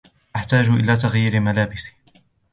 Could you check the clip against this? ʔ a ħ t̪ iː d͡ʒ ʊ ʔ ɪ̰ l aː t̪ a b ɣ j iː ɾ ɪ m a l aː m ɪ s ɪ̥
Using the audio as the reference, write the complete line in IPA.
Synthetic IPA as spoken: ʔ a ħ t̪ aː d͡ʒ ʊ ʔ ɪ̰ l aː t̪ a ɣ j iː ɾ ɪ m a l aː b ɪ s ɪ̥

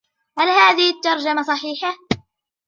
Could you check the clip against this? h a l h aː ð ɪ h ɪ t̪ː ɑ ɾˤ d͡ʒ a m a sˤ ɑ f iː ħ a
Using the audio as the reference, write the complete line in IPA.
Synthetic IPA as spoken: h a l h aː ð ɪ h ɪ t̪ː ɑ ɾˤ d͡ʒ a m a sˤ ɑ ħ iː ħ a

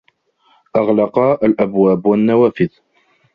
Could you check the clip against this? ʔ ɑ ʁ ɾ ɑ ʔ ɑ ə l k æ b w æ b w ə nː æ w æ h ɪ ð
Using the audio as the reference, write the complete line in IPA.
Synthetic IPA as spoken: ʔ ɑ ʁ l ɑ q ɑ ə l ʔ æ b w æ b w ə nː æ w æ f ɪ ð

